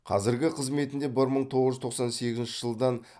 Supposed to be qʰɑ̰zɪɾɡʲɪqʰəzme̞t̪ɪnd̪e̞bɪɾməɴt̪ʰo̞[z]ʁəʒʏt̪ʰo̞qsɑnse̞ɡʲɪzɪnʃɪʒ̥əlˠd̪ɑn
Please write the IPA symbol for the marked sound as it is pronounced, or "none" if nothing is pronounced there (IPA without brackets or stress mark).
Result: none